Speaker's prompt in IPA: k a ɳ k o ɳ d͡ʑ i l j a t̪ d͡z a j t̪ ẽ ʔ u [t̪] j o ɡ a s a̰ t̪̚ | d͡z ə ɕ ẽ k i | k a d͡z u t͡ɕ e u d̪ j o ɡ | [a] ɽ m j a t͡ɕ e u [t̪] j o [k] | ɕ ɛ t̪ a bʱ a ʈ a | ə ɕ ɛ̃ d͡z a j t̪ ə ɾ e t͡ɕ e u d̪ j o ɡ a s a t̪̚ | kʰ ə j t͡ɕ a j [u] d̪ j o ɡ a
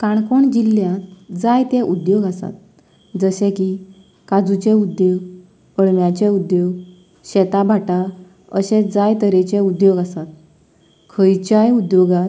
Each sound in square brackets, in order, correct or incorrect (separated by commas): incorrect, incorrect, incorrect, incorrect, correct